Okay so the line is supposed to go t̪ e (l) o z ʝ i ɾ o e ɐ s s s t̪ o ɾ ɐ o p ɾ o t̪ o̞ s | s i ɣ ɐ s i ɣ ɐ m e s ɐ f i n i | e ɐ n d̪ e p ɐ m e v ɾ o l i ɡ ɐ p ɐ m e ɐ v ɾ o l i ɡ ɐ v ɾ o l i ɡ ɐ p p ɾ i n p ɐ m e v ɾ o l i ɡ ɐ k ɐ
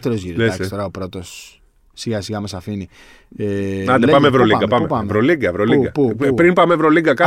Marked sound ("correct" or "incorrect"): incorrect